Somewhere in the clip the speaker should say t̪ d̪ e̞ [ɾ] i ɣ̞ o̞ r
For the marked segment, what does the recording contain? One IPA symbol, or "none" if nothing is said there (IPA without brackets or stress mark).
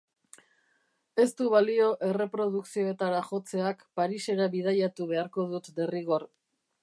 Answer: r